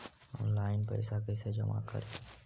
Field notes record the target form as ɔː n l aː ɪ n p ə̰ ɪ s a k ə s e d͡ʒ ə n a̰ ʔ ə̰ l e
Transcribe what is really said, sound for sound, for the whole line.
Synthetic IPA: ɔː n l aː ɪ n p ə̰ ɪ s a k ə s e d͡ʒ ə m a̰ k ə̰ ɾ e